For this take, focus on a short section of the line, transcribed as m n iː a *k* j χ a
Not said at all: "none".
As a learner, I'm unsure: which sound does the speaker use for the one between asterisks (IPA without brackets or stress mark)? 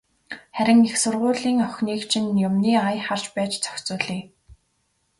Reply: none